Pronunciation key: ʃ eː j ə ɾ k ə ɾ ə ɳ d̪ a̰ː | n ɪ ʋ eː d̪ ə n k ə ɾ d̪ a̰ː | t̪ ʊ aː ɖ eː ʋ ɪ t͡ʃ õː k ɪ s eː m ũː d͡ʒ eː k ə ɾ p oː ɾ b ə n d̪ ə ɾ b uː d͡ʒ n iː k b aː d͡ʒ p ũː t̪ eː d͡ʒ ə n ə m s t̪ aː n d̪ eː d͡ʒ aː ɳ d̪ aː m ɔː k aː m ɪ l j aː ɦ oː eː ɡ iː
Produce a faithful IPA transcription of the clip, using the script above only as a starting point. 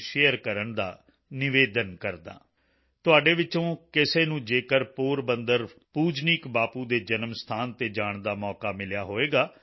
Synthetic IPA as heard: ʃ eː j ə ɾ k ə ɾ ə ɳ d̪ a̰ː | n ɪ ʋ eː d̪ ə n k ə ɾ d̪ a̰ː | t̪ ʊ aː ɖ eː ʋ ɪ t͡ʃ õː k ɪ s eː n ũː d͡ʒ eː k ə ɾ p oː ɾ b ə n d̪ ə ɾ p uː d͡ʒ n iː k b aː p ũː d̪ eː d͡ʒ ə n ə m s t̪ʰ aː n t̪ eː d͡ʒ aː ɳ d̪ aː m ɔː k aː m ɪ l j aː ɦ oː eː ɡ aː